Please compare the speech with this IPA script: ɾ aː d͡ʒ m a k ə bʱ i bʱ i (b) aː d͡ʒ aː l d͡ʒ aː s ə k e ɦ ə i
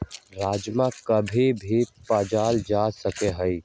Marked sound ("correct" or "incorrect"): incorrect